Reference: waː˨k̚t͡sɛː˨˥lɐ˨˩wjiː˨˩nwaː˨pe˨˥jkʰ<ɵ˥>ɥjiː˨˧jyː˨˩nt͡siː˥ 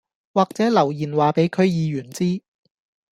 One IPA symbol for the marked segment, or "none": ɵ˨˧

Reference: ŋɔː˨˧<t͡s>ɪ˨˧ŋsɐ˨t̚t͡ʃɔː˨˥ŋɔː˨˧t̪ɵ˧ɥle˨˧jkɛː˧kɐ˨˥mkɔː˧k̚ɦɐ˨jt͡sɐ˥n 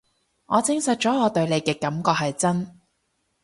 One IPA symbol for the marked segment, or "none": t͡s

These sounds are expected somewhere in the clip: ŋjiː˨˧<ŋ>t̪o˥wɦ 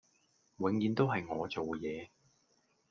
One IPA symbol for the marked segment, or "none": n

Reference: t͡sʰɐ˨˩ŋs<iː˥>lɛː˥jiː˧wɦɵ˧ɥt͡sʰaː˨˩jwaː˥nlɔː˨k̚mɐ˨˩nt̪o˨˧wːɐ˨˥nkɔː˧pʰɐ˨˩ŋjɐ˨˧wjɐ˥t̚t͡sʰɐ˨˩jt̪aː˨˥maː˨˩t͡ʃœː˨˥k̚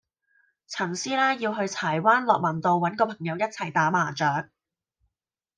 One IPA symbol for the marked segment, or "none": iː˥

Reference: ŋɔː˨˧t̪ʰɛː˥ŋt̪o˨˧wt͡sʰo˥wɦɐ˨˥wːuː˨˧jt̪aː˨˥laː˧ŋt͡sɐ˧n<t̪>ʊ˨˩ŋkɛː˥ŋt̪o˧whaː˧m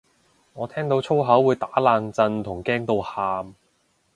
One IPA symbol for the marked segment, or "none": t̪ʰ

